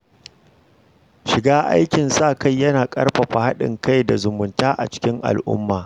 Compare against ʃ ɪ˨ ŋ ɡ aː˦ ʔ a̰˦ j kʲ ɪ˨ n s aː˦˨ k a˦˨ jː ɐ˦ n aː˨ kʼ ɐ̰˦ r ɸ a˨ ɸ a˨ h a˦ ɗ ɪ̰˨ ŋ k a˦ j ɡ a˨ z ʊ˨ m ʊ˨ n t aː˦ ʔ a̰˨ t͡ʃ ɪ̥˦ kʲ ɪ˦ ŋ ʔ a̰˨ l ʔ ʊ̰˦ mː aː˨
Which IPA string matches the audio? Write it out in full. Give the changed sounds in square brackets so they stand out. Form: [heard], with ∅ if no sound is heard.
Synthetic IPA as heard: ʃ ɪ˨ [∅] ɡ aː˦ ʔ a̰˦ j kʲ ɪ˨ n s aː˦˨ k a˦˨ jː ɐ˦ n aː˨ kʼ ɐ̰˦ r ɸ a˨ ɸ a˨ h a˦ ɗ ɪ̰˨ ŋ k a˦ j [d] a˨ z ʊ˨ m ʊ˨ n t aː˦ ʔ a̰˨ t͡ʃ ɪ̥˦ kʲ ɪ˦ ŋ ʔ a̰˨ l ʔ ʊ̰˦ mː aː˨